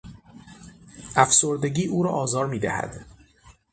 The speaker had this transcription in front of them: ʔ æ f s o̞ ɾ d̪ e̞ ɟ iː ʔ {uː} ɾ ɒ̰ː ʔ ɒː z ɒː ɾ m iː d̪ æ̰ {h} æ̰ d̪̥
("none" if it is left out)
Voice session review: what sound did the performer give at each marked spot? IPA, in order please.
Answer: uː, h

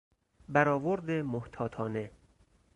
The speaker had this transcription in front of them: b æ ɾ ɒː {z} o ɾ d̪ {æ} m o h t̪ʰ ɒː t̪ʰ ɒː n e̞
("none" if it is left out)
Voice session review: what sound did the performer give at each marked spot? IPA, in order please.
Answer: v, e

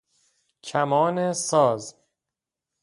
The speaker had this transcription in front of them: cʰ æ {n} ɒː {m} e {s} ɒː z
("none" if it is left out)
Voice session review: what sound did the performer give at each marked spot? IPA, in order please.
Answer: m, n, s

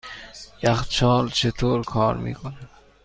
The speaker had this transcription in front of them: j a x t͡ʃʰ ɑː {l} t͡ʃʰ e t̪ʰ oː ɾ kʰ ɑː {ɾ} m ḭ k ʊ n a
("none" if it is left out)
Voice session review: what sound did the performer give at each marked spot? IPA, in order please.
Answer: l, ɾ

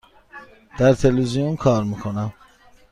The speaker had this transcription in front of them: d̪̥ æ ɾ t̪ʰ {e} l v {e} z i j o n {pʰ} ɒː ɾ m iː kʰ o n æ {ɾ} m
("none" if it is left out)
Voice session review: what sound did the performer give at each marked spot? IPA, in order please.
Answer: e, i, kʰ, none

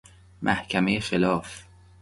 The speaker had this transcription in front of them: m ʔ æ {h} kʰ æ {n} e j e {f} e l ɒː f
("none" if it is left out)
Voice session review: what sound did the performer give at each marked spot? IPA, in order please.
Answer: h, m, x

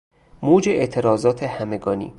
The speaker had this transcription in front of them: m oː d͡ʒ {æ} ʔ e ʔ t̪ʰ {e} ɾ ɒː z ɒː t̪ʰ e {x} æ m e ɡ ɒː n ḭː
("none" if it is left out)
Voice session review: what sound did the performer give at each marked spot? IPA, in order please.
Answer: e, e, h

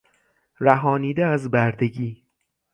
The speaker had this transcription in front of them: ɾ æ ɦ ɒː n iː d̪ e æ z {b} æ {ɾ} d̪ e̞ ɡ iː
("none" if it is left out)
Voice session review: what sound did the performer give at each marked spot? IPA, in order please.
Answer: b, ɾ

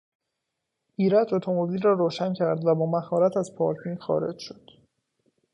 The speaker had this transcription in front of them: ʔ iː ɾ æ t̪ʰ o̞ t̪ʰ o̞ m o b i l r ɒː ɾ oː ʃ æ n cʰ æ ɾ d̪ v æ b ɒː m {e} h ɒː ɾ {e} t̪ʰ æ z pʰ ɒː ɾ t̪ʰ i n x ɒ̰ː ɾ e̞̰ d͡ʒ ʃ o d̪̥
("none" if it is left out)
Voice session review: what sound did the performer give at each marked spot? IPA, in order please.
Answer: æ, æ

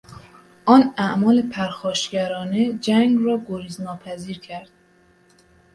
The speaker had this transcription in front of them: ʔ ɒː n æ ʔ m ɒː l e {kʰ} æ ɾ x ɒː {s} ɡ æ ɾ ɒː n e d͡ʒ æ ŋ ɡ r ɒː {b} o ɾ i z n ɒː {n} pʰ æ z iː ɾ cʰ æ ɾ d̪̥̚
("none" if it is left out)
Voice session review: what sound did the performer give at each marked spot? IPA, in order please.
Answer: pʰ, ʃ, ɡ, none

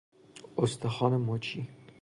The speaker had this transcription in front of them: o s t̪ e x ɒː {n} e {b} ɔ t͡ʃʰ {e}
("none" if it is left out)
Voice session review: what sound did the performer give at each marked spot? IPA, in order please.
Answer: n, m, i

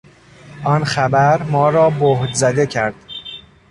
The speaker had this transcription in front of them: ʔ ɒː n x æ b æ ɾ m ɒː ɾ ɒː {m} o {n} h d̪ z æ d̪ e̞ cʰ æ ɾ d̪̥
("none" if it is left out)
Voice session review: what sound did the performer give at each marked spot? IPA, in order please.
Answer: b, none

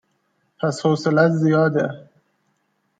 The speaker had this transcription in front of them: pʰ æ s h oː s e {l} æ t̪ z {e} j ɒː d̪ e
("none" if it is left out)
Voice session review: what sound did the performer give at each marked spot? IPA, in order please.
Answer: l, i

